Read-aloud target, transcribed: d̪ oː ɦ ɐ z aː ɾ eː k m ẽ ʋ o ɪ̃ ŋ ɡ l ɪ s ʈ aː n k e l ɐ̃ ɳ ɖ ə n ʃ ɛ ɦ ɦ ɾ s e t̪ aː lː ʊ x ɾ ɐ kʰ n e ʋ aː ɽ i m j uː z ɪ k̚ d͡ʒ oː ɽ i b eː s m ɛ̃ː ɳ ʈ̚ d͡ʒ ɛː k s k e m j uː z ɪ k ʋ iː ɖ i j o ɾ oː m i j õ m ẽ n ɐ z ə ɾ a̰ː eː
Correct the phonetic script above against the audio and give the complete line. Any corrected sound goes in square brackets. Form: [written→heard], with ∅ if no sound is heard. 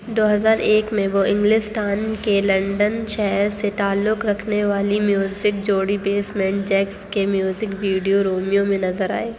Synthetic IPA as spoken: d̪ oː ɦ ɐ z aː ɾ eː k m ẽ ʋ o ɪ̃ ŋ ɡ l ɪ s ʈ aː n k e l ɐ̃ ɳ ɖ ə n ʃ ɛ ɦ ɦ ɾ s e t̪ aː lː ʊ [x→k] ɾ ɐ kʰ n e ʋ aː [ɽ→l] i m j uː z ɪ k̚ d͡ʒ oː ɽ i b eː s m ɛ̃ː ɳ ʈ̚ d͡ʒ ɛː k s k e m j uː z ɪ k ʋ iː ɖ i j o ɾ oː m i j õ m ẽ n ɐ z ə ɾ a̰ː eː